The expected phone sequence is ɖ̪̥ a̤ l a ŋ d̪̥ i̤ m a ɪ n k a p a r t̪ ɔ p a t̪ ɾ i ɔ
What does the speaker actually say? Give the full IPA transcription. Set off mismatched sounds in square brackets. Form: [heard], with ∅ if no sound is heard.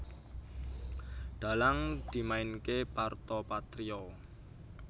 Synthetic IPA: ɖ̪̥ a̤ l a ŋ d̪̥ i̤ m a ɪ n k [e] p a r t̪ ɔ p a t̪ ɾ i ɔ